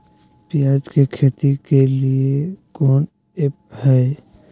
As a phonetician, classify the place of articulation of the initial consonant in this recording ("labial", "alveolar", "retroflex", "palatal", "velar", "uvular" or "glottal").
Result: labial